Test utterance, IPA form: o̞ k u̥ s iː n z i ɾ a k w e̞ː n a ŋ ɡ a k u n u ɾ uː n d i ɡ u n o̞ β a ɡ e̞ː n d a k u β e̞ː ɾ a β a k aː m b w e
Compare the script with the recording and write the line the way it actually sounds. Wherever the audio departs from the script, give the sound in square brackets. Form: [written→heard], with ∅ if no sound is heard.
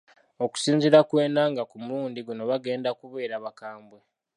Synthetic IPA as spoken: o̞ k u̥ s iː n z i ɾ a k w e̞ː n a ŋ ɡ a k u [n→m] u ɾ uː n d i ɡ u n o̞ β a ɡ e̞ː n d a k u β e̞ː ɾ a β a k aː m b w e

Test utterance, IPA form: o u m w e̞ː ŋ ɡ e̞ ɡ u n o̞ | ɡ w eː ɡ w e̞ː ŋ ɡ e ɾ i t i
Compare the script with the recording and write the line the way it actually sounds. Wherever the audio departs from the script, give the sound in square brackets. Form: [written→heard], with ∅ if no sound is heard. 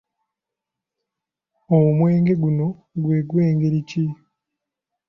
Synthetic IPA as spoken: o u m w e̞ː ŋ ɡ e̞ ɡ u n o̞ | ɡ w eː ɡ w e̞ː ŋ ɡ e ɾ i [t→c] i

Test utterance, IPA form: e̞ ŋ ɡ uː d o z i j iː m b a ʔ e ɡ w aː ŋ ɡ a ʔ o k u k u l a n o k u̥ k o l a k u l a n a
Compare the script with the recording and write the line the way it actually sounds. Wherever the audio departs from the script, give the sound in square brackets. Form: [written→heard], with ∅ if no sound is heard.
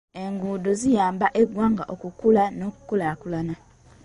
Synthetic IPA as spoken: e̞ ŋ ɡ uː d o z i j [iː→aː] m b a ʔ e ɡ w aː ŋ ɡ a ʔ o k u k u l a n o k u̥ k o l a k u l a n a

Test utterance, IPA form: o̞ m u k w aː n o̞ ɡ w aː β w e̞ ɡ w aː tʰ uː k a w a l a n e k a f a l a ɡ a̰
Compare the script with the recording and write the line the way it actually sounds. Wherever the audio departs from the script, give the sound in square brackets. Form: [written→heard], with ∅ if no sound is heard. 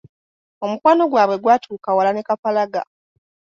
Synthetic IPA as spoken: o̞ m u k w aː n o̞ ɡ w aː β w e̞ ɡ w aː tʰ uː k a w a l a n e k a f a l a ɡ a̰

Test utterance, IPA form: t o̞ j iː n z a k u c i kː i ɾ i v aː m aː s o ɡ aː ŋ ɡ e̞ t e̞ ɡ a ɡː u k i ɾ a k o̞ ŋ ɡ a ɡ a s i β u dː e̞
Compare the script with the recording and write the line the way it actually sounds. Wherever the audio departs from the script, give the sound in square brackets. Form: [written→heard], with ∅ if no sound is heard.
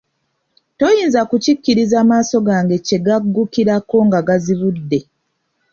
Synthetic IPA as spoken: t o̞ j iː n z a k u c i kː i ɾ i [v→z] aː m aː s o ɡ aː ŋ ɡ e̞ [t→c] e̞ ɡ a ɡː u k i ɾ a k o̞ ŋ ɡ a ɡ a [s→z] i β u dː e̞

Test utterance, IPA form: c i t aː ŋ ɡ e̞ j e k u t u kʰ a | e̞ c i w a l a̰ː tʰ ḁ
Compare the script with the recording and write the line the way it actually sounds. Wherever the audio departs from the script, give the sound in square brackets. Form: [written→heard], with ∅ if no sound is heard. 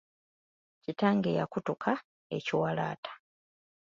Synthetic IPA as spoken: c i t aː ŋ ɡ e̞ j [e→a] k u t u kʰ a | e̞ c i w a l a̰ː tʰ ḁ

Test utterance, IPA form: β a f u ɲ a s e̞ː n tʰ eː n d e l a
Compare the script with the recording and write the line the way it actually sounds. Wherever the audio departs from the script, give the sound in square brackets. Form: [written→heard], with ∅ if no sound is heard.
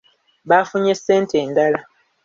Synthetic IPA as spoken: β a f u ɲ [a→e] s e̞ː n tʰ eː n d [e→a] l a

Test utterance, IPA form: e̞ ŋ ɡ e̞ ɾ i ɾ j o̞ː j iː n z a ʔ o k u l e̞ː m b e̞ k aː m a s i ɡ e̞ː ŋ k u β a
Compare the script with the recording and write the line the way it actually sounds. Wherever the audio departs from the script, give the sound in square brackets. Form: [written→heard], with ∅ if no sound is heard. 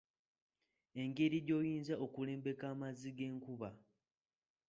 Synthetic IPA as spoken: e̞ ŋ ɡ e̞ ɾ i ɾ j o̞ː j iː n z a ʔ o k u l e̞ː m b e̞ k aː m a [s→z] i ɡ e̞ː ŋ k u β a

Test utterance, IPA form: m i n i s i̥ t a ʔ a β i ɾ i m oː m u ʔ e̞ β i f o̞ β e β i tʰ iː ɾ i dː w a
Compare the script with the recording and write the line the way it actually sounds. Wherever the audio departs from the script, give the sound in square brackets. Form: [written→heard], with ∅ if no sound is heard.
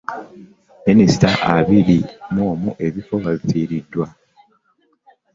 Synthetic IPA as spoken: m i n i s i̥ t a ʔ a β i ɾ i m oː m u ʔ e̞ β i f o̞ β [e→a] β i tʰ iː ɾ i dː w a

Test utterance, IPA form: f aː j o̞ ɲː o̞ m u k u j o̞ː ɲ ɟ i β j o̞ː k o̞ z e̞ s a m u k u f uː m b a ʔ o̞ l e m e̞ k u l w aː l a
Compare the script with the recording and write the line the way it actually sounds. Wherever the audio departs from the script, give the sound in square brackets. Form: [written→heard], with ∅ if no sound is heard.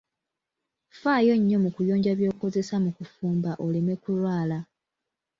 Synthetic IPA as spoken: f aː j o̞ ɲː o̞ m u k u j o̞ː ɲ ɟ [i→a] β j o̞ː k o̞ z e̞ s a m u k u f uː m b a ʔ o̞ l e m e̞ k u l w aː l a

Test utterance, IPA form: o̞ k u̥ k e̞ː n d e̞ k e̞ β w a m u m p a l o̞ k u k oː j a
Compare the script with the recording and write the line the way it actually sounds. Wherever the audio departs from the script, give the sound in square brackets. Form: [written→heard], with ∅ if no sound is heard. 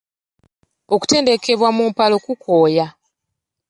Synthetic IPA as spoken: o̞ k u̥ [k→t] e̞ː n d e̞ k e̞ β w a m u m p a l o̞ k u k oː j a

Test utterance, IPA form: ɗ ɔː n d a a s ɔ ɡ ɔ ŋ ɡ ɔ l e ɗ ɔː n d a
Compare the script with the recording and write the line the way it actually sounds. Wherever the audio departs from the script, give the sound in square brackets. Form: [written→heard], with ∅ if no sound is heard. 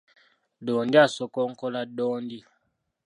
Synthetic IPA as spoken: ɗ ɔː n d [a→i] a s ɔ [ɡ→k] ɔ ŋ [ɡ→k] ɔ l [e→a] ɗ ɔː n d [a→i]

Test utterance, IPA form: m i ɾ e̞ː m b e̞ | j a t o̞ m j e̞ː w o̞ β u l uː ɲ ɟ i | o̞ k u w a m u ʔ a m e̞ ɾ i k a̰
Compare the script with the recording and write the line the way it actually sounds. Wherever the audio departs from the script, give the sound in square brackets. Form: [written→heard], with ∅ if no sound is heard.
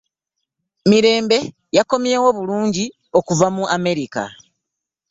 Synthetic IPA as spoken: m i ɾ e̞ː m b e̞ | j a [t→k] o̞ m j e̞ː w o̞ β u l uː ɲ ɟ i | o̞ k u [w→v] a m u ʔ a m e̞ ɾ i k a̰

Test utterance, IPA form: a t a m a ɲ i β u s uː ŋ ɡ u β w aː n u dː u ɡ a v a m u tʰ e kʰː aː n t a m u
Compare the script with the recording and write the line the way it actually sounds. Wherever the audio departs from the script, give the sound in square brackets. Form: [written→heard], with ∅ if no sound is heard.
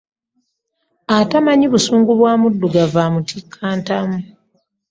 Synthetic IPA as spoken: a t a m a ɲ i β u s uː ŋ ɡ u β w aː [n→m] u dː u ɡ a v a m u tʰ [e→i] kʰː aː n t a m u

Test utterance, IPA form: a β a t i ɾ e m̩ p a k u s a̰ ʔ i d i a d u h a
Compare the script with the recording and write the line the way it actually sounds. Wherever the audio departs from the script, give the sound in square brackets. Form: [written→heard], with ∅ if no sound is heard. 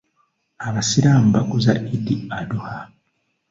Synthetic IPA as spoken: a β a [t→s] i ɾ [e→a] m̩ [p→b] a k u [s→z] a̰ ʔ i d i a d u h a

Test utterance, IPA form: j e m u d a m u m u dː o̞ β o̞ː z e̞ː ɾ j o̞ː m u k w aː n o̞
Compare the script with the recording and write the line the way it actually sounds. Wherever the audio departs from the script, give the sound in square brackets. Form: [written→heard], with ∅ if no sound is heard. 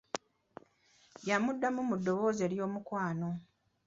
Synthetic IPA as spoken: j [e→a] m u [d→dː] a m u m u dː o̞ β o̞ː z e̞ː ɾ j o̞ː m u k w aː n o̞

